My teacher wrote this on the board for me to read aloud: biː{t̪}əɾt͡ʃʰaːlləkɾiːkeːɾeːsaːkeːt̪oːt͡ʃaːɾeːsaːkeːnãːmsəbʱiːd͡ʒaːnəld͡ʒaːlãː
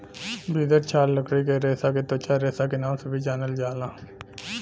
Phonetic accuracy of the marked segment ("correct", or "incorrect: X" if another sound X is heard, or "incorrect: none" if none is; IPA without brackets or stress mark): incorrect: d̪